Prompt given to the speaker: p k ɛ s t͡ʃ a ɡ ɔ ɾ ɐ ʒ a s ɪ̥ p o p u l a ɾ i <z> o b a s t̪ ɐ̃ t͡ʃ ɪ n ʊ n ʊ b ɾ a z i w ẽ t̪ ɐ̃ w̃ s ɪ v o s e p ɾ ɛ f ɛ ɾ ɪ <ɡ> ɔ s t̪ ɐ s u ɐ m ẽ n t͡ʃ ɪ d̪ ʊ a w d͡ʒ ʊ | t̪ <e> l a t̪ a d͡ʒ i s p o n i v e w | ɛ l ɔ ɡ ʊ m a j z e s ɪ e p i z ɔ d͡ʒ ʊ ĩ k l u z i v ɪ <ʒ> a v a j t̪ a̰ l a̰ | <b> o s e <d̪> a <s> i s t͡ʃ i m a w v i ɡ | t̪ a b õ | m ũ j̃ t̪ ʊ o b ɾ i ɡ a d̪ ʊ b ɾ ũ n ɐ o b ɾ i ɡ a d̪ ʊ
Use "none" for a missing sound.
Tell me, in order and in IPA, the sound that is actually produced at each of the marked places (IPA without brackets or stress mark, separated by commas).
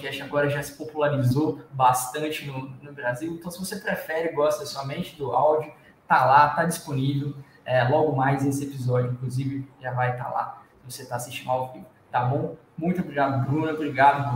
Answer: z, ɡ, a, ʒ, v, t̪, s